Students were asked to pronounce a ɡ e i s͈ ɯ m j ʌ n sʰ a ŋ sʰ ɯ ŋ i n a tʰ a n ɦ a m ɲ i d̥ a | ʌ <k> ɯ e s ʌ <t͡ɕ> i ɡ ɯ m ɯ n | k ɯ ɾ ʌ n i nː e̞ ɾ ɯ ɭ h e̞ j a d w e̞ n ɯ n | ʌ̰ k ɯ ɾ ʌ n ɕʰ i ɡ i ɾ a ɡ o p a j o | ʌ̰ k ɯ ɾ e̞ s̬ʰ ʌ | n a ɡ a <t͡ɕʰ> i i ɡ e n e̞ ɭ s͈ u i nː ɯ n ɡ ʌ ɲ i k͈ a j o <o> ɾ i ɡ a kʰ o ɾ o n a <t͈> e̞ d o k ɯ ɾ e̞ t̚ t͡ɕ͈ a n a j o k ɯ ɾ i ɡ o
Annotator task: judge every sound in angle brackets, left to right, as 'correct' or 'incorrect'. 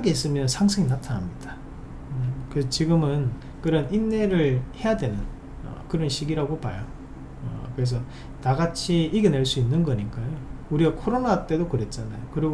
correct, correct, correct, incorrect: u, correct

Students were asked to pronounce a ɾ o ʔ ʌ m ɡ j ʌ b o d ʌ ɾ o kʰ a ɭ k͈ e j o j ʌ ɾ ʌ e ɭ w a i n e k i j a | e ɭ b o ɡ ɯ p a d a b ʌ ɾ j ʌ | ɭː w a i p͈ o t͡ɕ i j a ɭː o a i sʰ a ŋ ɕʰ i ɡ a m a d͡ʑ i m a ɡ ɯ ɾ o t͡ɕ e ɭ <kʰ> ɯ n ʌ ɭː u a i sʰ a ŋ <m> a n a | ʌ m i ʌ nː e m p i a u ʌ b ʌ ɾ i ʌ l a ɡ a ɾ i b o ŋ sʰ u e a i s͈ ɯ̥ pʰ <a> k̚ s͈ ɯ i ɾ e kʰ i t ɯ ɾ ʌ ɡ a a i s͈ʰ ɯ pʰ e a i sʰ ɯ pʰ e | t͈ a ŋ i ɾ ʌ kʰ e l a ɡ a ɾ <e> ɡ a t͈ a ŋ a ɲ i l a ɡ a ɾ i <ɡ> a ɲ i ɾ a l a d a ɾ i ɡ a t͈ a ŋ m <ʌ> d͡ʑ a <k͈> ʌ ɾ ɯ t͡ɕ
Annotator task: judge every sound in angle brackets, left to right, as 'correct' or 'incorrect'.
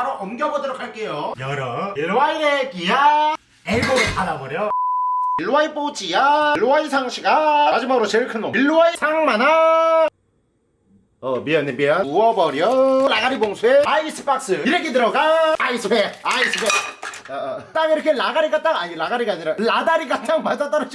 correct, correct, correct, incorrect: i, correct, incorrect: a, incorrect: t͈

